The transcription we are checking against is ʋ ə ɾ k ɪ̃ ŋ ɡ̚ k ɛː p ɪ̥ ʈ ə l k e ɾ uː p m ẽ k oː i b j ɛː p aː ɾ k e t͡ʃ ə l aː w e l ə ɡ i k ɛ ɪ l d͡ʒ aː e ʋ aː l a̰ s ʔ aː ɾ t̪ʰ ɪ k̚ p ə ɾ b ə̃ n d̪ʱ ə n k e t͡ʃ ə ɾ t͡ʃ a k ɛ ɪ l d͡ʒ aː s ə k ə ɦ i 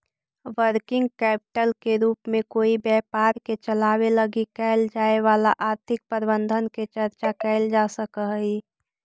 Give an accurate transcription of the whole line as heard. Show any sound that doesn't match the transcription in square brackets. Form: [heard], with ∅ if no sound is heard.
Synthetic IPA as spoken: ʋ ə ɾ k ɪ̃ ŋ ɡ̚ k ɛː p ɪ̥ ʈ ə l k e ɾ uː p m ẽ k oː i b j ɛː p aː ɾ k e t͡ʃ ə l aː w e l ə ɡ i k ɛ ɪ l d͡ʒ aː e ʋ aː l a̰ [∅] ʔ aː ɾ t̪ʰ ɪ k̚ p ə ɾ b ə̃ n d̪ʱ ə n k e t͡ʃ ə ɾ t͡ʃ a k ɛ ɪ l d͡ʒ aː s ə k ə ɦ i